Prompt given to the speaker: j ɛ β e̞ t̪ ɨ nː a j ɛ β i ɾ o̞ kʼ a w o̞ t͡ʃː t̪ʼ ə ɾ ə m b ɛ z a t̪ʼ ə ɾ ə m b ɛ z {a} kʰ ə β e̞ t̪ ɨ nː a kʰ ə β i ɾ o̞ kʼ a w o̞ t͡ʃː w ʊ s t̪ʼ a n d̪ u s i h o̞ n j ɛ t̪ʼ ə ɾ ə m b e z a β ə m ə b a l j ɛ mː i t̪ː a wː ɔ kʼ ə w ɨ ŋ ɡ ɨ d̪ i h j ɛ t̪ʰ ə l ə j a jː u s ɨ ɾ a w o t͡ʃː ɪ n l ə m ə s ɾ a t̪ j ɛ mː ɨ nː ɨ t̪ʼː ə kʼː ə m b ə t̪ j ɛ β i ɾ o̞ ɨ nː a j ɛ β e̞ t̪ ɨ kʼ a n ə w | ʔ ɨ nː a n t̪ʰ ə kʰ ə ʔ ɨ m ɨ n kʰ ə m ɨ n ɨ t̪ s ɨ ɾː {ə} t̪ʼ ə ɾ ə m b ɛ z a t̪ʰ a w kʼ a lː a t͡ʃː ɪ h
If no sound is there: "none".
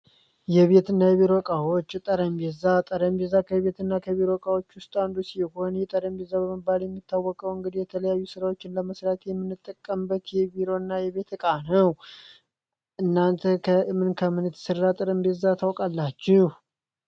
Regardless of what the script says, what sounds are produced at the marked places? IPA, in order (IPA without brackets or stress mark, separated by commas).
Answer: a, a